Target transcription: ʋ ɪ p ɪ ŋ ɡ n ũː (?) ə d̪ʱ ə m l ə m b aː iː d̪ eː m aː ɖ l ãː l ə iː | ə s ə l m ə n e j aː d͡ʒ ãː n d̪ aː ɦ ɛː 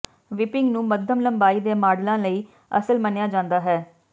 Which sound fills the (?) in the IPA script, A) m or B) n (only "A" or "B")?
A